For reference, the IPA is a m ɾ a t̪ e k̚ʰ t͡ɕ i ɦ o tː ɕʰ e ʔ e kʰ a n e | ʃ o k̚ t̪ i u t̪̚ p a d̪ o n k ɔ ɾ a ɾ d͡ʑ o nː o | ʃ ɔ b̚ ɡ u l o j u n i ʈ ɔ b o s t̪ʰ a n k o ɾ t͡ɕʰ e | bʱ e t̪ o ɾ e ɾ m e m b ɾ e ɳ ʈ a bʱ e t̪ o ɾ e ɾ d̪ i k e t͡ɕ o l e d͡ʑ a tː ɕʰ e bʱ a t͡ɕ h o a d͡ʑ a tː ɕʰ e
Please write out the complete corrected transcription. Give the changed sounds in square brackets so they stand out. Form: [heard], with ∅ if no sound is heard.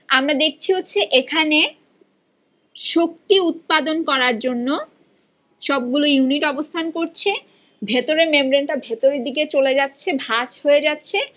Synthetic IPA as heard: a m ɾ a [d̪] e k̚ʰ [t͡ɕʰ] i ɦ o tː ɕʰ e ʔ e kʰ a n e | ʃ o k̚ t̪ i u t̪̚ p a d̪ o n k ɔ ɾ a ɾ d͡ʑ o nː o | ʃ ɔ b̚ ɡ u l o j u n i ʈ ɔ b o s t̪ʰ a n k o ɾ t͡ɕʰ e | bʱ e t̪ o ɾ e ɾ m e m b ɾ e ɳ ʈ a bʱ e t̪ o ɾ e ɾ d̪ i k e t͡ɕ o l e d͡ʑ a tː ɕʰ e bʱ a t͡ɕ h o [e] d͡ʑ a tː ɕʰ e